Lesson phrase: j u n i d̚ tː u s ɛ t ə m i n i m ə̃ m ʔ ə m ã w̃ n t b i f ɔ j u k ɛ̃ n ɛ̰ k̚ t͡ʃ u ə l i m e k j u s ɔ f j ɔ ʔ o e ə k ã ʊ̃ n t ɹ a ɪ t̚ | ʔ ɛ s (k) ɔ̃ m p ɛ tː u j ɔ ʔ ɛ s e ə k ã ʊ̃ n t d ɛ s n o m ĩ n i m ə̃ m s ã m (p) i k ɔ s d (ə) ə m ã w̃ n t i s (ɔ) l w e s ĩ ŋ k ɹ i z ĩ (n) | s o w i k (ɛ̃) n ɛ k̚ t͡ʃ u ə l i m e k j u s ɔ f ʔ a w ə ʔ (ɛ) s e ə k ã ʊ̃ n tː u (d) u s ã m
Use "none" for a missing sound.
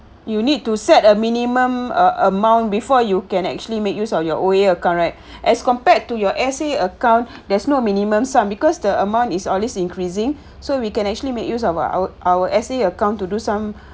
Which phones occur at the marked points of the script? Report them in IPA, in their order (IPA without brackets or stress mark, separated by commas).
k, b, ə, ɔ, ŋ, ɛ̃, ɛ, d